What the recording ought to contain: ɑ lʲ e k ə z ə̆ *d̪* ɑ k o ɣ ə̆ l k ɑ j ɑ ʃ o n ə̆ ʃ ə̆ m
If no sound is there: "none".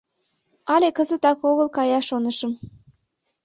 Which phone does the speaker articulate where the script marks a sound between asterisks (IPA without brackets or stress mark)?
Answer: t̪